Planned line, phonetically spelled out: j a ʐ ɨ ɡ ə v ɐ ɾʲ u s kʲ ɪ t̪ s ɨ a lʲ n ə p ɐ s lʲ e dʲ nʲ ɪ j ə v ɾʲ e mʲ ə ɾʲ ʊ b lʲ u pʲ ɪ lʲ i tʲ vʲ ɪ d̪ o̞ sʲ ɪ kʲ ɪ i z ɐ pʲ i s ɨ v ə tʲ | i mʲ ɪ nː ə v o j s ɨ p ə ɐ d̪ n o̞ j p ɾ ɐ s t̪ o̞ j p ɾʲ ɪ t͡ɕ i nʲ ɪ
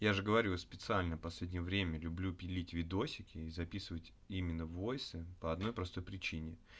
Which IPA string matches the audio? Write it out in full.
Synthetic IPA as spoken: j a ʐ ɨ ɡ ə v ɐ ɾʲ u s pʲ ɪ t̪ s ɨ a lʲ n ə p ɐ s lʲ e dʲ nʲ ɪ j ə v ɾʲ e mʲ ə lʲ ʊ b lʲ u pʲ ɪ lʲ i tʲ vʲ ɪ d̪ o̞ sʲ ɪ kʲ ɪ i z ɐ pʲ i s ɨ v ə tʲ | i mʲ ɪ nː ə v o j s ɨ p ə ɐ d̪ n o̞ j p ɾ ɐ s t̪ o̞ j p ɾʲ ɪ t͡ɕ i nʲ ɪ